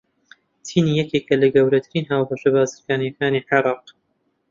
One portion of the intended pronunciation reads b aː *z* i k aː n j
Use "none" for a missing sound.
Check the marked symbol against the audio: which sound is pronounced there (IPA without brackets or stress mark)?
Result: z